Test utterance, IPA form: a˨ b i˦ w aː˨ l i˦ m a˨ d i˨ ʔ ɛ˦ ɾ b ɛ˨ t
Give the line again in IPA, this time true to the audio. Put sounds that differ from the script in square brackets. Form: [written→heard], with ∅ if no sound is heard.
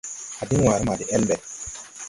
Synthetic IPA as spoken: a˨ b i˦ w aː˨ [l→ɾ] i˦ m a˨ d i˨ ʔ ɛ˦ [ɾ→l] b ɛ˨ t